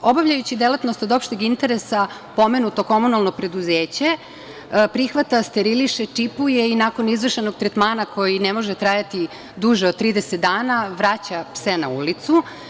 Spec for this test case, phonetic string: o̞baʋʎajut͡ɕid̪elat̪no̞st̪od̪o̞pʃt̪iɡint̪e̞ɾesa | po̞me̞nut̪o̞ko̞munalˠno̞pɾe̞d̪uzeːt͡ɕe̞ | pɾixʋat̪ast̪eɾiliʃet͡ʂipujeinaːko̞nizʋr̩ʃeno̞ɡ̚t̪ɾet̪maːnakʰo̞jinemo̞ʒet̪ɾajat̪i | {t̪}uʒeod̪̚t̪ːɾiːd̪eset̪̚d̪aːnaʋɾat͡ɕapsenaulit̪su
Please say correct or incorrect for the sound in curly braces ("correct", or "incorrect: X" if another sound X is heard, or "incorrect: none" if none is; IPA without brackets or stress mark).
incorrect: d̪